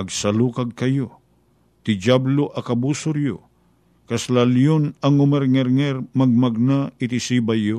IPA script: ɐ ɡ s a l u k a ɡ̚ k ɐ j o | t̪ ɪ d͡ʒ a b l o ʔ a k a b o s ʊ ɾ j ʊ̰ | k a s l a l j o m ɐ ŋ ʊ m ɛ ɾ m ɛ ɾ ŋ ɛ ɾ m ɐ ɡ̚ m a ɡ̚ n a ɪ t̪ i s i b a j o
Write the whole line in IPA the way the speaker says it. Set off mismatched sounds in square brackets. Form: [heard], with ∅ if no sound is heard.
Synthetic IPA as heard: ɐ ɡ s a l u k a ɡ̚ k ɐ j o | t̪ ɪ d͡ʒ a b l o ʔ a k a b [u] s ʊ ɾ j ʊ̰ | k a s l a l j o [n] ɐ ŋ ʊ m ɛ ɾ [ŋ] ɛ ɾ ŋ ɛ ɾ m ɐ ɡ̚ m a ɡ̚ n a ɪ t̪ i s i b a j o